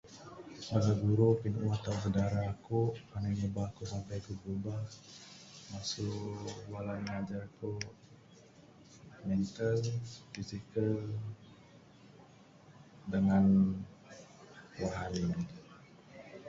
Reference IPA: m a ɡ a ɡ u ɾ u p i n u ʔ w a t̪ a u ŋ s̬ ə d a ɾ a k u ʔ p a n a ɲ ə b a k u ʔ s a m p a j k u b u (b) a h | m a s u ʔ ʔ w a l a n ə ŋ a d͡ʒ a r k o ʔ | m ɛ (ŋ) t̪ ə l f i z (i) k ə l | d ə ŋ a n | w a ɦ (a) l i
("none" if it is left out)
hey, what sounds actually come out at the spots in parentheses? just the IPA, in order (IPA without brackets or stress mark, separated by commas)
b, n, i, a